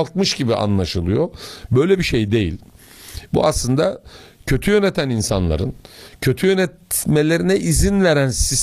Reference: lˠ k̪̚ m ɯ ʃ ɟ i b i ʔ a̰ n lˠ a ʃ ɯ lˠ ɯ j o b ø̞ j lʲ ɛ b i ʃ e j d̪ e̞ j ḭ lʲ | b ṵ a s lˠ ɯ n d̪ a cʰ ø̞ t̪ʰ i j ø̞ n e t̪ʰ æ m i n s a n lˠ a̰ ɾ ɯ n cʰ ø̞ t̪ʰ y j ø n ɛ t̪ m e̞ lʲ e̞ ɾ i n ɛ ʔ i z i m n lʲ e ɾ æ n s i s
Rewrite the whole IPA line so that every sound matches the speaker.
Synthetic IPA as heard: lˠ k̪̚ m ɯ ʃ ɟ i b i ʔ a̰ n lˠ a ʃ ɯ lˠ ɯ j o b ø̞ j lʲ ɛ b i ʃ e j d̪ e̞ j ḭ lʲ | b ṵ a s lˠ ɯ n d̪ a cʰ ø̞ t̪ʰ y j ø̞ n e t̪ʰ æ n i n s a n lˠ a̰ ɾ ɯ n cʰ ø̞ t̪ʰ y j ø n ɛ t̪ m e̞ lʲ e̞ ɾ i n ɛ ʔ i z i n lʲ e ɾ æ n s i s